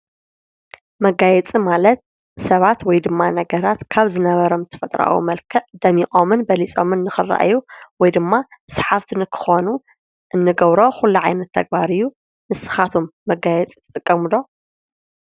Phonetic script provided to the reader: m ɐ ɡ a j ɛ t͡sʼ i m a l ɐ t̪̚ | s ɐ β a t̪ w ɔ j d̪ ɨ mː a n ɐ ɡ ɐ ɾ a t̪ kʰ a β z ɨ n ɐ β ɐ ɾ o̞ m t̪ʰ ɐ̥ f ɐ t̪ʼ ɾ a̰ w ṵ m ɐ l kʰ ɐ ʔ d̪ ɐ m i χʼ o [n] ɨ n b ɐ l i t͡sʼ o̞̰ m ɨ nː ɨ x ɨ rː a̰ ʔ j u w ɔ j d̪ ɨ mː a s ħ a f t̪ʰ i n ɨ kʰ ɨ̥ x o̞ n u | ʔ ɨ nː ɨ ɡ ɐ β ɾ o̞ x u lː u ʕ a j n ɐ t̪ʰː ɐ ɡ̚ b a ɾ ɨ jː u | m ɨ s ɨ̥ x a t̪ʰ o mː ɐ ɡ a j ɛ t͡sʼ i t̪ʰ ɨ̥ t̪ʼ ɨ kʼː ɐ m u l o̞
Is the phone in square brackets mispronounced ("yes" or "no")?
yes